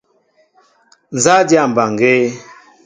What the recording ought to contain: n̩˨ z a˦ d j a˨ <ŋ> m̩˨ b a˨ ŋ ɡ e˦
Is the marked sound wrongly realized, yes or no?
yes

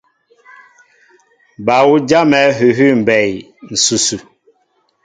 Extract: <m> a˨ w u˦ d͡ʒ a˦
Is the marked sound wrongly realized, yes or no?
yes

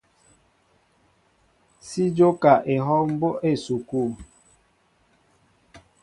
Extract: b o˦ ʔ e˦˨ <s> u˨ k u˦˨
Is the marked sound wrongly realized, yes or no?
no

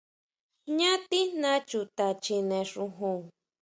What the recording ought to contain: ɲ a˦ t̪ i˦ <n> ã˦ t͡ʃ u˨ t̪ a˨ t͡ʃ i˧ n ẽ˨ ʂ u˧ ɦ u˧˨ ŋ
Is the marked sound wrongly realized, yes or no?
no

